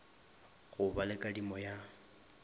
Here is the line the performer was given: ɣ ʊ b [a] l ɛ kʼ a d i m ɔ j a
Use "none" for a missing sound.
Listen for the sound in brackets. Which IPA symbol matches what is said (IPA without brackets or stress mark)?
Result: a